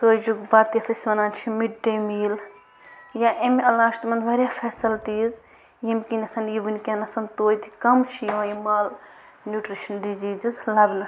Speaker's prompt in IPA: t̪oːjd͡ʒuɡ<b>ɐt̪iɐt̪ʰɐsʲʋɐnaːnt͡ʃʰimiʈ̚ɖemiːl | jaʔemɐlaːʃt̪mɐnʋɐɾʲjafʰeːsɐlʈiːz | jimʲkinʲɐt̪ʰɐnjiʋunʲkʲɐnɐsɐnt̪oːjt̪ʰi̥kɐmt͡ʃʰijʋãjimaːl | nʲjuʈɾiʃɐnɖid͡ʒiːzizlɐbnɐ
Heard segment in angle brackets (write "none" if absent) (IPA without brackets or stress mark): b